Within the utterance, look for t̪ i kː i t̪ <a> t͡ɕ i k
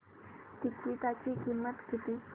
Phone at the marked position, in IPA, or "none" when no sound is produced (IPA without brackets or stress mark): a